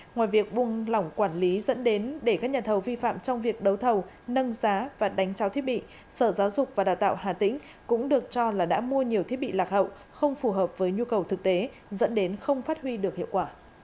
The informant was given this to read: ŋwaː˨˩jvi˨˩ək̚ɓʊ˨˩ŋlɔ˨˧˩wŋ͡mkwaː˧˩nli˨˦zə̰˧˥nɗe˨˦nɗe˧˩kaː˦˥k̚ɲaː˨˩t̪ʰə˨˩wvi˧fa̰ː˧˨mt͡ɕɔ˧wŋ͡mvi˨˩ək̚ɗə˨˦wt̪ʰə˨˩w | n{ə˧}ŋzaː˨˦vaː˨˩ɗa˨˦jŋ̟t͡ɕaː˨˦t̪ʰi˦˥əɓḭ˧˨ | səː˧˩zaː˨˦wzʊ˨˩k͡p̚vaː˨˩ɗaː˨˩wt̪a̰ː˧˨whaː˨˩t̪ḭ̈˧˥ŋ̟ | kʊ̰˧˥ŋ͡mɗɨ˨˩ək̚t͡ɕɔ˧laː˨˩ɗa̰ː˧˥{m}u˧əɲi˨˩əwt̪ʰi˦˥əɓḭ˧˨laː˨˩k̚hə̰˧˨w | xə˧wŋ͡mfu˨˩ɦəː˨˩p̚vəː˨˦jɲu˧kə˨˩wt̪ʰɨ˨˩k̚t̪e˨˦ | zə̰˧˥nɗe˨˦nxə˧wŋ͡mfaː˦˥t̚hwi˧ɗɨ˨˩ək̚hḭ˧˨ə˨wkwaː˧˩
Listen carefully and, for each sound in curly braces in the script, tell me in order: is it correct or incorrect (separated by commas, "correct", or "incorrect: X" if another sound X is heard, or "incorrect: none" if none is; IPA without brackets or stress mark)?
correct, correct